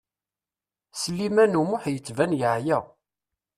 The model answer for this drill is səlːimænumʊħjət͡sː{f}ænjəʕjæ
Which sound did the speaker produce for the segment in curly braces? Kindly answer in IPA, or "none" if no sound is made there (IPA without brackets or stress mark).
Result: v